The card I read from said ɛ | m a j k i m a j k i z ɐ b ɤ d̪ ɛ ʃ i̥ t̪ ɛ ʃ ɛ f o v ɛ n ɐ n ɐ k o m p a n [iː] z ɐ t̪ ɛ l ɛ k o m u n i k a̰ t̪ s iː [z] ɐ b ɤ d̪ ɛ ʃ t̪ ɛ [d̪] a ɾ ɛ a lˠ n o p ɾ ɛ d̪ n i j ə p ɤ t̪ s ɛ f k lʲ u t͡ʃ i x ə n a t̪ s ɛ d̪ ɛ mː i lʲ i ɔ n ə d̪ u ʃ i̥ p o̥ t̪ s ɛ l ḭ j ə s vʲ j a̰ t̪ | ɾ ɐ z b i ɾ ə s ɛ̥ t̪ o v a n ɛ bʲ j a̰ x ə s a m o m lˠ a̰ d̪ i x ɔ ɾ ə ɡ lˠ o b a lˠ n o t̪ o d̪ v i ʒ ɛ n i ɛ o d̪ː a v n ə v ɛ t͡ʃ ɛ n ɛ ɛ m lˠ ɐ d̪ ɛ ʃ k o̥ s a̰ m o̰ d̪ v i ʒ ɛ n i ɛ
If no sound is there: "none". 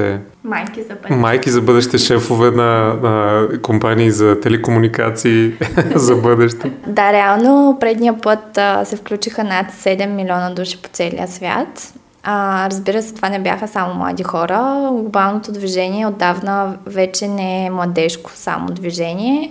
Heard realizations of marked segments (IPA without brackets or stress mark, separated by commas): iː, z, d̪